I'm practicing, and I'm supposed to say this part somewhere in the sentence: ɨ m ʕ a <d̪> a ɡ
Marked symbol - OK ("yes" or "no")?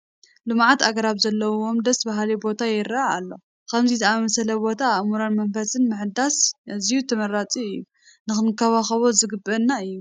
no